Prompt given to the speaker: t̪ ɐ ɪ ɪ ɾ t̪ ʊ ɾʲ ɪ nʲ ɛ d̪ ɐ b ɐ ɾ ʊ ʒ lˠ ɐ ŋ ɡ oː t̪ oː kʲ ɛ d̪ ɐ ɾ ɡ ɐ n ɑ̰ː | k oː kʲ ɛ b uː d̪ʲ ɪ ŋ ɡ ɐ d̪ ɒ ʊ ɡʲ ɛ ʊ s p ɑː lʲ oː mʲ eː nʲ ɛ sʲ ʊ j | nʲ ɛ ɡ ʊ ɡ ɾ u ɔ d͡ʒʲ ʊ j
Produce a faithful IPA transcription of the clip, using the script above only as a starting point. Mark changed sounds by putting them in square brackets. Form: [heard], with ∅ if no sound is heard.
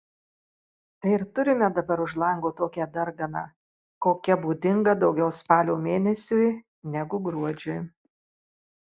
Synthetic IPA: t̪ ɐ ɪ ɪ ɾ t̪ ʊ ɾʲ ɪ [mʲ] ɛ d̪ ɐ b ɐ ɾ ʊ ʒ lˠ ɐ ŋ ɡ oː t̪ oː kʲ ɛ d̪ ɐ ɾ ɡ ɐ n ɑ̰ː | k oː kʲ ɛ b uː d̪ʲ ɪ ŋ ɡ ɐ d̪ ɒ ʊ ɡʲ ɛ ʊ s p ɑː lʲ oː mʲ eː nʲ ɛ sʲ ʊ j | nʲ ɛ ɡ ʊ ɡ ɾ u ɔ d͡ʒʲ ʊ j